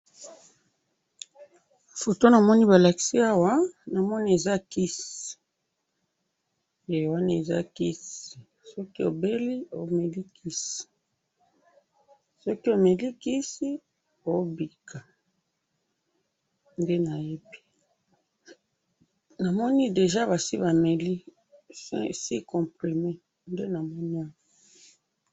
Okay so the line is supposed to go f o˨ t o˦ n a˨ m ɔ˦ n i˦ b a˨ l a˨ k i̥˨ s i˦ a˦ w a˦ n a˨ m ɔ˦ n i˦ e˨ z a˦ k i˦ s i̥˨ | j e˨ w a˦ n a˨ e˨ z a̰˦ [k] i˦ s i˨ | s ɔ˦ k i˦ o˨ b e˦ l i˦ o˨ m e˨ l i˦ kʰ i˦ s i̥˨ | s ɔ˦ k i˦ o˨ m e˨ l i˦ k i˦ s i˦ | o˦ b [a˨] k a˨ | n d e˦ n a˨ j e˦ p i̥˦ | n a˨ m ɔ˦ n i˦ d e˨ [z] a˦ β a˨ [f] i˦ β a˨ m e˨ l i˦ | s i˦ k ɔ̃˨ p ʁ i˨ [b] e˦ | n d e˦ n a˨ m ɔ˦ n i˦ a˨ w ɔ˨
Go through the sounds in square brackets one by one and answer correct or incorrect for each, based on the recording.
correct, incorrect, incorrect, incorrect, incorrect

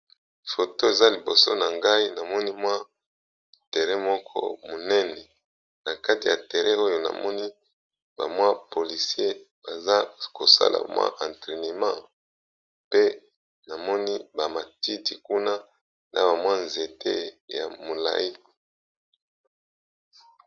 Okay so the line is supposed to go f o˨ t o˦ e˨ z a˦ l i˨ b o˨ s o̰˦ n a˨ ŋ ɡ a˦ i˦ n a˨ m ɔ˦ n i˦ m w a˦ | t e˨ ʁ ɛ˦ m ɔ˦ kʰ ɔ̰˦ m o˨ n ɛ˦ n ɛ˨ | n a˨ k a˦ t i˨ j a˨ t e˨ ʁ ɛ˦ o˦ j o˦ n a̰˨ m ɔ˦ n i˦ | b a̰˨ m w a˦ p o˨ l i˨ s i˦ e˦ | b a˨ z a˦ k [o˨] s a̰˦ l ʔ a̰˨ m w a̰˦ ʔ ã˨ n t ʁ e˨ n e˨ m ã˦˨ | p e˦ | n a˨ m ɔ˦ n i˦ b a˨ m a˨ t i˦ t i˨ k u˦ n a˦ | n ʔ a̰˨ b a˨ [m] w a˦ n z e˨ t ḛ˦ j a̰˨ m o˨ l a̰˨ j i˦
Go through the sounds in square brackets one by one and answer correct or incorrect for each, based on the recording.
correct, correct

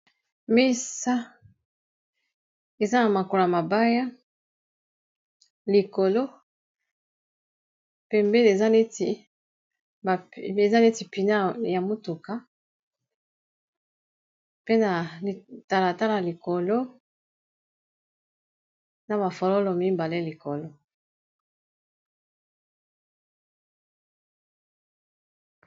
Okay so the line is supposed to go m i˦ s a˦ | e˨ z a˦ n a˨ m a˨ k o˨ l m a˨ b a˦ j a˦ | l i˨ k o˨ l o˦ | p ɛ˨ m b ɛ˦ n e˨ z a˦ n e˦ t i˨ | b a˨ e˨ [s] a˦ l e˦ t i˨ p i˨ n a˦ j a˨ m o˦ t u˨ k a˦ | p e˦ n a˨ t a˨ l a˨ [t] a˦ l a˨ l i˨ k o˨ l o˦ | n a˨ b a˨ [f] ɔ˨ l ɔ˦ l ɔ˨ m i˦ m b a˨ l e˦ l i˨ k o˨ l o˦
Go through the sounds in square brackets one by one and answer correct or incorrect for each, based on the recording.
incorrect, correct, correct

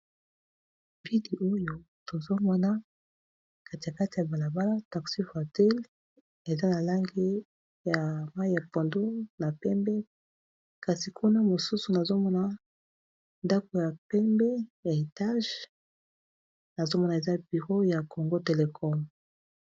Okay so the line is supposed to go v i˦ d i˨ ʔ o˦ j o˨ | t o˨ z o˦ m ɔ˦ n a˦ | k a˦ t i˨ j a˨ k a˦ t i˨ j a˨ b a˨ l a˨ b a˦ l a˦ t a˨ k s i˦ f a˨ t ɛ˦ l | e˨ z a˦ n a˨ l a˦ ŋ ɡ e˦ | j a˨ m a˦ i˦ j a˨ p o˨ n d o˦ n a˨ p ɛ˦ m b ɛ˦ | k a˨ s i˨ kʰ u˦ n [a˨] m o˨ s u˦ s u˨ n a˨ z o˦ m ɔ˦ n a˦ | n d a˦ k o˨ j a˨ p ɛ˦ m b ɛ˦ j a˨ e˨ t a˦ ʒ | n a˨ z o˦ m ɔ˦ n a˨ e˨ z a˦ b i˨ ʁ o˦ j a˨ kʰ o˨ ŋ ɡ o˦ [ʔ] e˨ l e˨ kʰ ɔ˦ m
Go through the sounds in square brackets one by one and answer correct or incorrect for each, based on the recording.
incorrect, incorrect

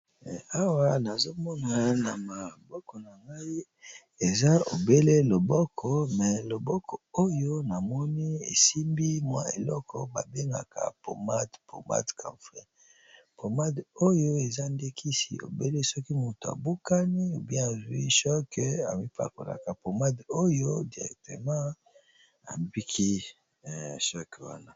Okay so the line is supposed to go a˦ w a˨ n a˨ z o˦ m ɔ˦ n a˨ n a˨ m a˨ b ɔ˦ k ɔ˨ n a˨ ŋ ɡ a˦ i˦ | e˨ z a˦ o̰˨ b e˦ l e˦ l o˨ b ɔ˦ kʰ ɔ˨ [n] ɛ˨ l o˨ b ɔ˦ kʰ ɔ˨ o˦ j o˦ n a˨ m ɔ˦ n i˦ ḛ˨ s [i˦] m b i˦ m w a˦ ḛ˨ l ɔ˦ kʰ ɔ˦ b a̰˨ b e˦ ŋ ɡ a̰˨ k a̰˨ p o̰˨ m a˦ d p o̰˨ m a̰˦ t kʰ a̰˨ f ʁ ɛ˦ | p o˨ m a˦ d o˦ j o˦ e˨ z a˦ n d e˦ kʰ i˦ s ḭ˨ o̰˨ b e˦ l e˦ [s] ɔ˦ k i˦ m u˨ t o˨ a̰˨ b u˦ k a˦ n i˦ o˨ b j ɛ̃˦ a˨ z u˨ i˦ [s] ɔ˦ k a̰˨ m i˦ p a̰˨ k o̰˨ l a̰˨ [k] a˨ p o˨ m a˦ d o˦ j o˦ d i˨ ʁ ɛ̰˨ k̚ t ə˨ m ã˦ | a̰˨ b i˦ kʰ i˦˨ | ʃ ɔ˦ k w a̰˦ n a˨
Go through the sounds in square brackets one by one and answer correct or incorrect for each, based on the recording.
incorrect, correct, correct, incorrect, correct

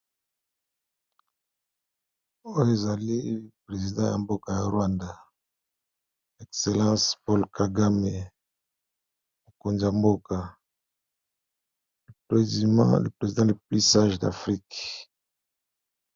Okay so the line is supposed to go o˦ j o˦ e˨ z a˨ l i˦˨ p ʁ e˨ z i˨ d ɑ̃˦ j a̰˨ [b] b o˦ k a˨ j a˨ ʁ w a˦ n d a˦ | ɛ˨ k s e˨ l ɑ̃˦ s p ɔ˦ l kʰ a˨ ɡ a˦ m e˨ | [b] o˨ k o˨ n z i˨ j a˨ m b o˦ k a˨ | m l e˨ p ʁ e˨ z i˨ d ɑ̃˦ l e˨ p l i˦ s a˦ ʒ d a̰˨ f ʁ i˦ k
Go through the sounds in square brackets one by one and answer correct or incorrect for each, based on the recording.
incorrect, incorrect

